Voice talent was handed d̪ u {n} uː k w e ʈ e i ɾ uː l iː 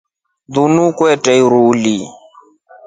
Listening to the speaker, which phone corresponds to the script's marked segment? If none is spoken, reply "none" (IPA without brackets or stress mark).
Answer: n